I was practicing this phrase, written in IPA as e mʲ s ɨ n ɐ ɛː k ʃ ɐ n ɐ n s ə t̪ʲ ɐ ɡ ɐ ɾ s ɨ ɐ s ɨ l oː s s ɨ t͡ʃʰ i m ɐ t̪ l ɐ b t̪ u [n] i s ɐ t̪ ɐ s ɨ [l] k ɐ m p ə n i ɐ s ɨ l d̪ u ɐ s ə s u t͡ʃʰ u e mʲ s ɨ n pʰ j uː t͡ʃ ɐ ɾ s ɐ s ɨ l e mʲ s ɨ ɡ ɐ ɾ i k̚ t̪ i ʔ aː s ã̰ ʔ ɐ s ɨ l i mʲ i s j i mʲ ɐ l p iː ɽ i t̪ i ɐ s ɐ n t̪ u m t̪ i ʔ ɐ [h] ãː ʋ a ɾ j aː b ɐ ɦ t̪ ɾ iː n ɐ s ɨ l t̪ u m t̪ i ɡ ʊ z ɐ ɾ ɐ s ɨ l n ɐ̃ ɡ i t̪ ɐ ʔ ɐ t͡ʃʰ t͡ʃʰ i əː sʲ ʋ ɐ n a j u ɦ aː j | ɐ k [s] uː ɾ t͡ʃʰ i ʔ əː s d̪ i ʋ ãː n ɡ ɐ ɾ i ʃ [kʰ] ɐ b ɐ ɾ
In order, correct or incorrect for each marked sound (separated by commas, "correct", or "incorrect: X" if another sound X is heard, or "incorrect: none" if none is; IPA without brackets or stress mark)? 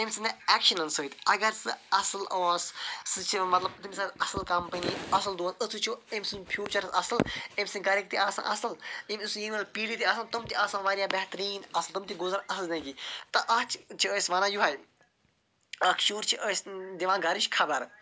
incorrect: m, correct, incorrect: s, incorrect: ʃ, correct